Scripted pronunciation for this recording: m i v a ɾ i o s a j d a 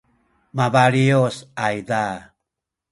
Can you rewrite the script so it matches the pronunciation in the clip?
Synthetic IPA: m a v a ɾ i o s a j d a